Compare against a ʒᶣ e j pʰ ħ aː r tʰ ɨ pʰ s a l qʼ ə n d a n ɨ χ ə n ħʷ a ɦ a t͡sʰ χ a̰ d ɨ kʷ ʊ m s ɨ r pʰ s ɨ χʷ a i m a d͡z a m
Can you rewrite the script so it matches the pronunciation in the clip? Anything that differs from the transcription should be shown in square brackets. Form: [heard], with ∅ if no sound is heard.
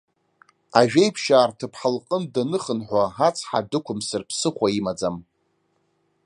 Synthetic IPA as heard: a ʒᶣ e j pʰ [ʃ] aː r tʰ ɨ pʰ [ħ] a l qʼ ə n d a n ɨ χ ə n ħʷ a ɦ a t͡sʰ [ħ] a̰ d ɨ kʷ ʊ m s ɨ r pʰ s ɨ χʷ a i m a d͡z a m